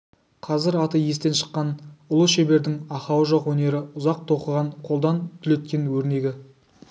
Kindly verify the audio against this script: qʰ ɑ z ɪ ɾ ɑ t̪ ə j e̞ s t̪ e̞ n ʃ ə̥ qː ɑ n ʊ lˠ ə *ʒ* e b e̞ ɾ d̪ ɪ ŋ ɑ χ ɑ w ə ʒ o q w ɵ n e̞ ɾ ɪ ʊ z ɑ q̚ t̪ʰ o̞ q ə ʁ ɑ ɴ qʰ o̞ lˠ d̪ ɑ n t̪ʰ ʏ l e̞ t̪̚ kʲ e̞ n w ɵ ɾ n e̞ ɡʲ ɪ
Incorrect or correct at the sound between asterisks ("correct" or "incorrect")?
incorrect